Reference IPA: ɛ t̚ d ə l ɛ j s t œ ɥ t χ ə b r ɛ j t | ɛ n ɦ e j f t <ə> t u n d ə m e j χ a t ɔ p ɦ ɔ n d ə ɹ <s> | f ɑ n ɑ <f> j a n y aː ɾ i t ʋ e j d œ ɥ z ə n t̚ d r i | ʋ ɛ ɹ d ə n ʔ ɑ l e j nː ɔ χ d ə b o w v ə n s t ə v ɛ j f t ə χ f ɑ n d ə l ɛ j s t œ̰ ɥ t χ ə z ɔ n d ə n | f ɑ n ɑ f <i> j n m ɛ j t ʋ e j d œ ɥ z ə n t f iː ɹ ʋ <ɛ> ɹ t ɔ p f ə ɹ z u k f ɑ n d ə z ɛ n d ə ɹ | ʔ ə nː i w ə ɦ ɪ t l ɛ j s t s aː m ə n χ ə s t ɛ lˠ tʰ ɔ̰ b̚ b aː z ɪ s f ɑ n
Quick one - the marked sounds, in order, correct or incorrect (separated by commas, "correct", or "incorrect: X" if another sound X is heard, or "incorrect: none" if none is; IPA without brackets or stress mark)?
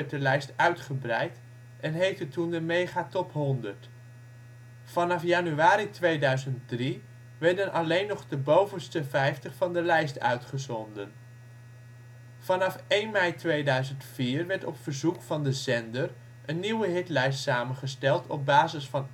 correct, incorrect: t, correct, incorrect: e, correct